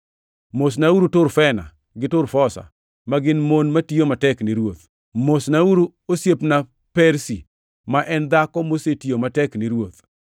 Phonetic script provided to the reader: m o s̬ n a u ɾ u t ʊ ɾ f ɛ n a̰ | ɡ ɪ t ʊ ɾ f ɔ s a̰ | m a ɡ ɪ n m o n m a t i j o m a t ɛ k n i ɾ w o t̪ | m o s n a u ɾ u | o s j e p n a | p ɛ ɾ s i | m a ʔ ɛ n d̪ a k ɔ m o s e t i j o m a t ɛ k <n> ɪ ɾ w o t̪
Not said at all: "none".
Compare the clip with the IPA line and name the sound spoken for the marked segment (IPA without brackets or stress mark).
n